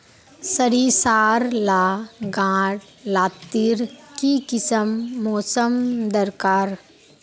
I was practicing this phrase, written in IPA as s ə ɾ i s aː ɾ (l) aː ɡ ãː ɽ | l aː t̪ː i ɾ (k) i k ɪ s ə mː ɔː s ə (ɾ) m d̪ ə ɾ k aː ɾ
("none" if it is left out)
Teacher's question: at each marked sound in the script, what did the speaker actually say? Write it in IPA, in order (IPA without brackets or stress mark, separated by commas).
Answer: l, k, none